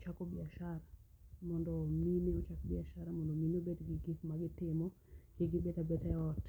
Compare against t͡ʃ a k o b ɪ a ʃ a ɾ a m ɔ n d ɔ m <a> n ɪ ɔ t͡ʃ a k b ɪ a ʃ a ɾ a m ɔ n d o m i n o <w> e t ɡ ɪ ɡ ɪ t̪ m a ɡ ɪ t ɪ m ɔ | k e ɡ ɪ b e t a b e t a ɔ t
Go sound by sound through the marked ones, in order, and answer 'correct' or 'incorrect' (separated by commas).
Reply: incorrect, incorrect